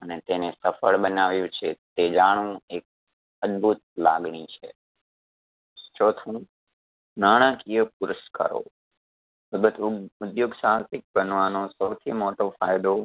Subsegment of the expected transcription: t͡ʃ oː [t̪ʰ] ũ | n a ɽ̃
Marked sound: correct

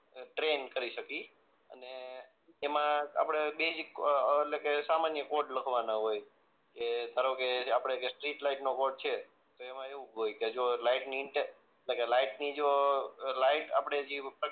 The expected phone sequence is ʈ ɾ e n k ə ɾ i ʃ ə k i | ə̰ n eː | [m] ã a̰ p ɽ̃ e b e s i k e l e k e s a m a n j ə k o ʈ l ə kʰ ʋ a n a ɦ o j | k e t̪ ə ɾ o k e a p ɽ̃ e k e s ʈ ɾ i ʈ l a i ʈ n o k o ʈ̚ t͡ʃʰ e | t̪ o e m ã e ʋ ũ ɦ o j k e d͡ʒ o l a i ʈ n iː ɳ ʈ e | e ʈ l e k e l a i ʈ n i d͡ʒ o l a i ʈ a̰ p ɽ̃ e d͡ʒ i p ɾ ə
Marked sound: correct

